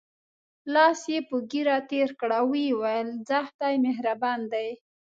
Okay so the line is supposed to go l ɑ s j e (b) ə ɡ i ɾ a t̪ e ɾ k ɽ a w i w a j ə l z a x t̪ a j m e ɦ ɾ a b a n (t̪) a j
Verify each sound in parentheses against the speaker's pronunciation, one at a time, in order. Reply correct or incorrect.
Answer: incorrect: p, incorrect: d̪

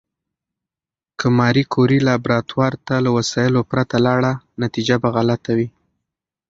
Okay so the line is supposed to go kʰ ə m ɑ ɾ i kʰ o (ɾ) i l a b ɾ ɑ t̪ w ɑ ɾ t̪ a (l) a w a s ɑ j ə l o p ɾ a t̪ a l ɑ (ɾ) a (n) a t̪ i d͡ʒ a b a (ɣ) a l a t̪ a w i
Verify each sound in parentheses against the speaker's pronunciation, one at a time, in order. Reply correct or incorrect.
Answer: correct, correct, incorrect: ɽ, correct, correct

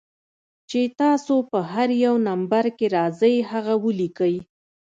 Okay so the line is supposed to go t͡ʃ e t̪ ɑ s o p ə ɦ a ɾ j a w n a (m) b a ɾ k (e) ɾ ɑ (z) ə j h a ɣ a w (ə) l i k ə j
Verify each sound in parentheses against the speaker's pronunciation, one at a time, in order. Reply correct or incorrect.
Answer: correct, correct, correct, correct

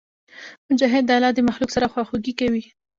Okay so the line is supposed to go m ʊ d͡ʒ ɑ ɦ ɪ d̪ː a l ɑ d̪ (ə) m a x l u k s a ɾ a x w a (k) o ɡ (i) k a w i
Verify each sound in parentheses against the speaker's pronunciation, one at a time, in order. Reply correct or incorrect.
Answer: correct, incorrect: x, correct

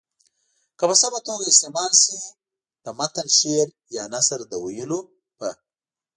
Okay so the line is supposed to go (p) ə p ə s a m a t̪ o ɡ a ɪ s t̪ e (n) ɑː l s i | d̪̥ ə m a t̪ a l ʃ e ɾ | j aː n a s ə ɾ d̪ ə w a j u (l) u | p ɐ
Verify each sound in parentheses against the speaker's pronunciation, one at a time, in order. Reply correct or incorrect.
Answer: incorrect: k, incorrect: m, correct

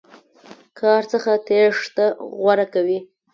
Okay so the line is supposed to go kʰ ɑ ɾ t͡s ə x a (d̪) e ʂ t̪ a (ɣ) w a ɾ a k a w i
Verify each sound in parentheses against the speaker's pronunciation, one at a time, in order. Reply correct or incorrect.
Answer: incorrect: t̪, correct

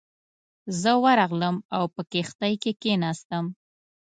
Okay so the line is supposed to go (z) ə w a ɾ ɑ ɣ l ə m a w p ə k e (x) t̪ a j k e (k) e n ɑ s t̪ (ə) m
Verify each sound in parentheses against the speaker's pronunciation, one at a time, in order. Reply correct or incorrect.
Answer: correct, correct, correct, correct

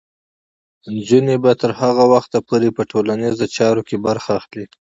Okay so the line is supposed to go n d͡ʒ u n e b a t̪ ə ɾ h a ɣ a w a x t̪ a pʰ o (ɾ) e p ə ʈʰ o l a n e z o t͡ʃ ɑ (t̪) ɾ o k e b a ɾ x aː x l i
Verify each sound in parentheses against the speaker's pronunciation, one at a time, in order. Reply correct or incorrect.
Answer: correct, incorrect: none

